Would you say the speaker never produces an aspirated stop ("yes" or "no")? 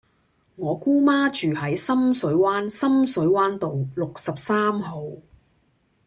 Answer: yes